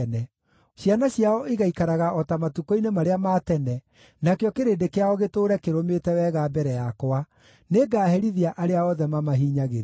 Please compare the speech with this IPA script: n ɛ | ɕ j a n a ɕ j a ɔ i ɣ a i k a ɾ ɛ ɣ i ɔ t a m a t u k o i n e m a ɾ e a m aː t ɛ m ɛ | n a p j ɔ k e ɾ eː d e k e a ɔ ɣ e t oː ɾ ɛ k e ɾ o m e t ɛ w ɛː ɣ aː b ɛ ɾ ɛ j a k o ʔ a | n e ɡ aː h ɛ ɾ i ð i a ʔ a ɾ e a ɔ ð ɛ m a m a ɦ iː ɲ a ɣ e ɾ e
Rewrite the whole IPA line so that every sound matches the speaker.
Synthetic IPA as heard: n ɛ | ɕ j a n a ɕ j a ɔ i ɣ a i k a ɾ a ɣ a ɔ t a m a t u k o i n e m a ɾ e a m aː t ɛ n ɛ | n a k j ɔ k e ɾ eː d e k e a ɔ ɣ e t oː ɾ ɛ k e ɾ o m e t ɛ w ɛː ɣ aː b ɛ ɾ ɛ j a k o a | n e ɡ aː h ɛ ɾ i ð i a ʔ a ɾ e a ɔ ð ɛ m a m a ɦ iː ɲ a ɣ e ɾ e